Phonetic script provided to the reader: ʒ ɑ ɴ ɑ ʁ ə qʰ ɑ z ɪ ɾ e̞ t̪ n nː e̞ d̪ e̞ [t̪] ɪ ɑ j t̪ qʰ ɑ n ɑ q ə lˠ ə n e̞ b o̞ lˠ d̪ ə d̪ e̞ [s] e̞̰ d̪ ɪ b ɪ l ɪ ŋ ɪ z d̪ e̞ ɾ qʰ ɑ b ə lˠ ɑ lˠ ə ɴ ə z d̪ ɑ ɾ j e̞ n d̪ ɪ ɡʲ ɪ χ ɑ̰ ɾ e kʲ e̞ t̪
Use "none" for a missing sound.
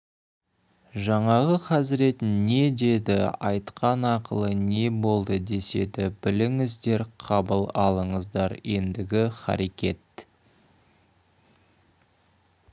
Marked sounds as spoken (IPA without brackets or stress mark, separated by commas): d̪, s